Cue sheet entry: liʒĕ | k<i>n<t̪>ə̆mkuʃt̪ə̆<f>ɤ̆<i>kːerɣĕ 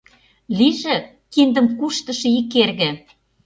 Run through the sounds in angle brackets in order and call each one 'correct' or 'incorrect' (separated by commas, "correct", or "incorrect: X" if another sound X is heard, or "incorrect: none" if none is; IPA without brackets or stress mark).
correct, incorrect: d̪, incorrect: ʃ, correct